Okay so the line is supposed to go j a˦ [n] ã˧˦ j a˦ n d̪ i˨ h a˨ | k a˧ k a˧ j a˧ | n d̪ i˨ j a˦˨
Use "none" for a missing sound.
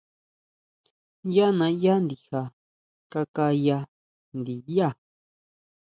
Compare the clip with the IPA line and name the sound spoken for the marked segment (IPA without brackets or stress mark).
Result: n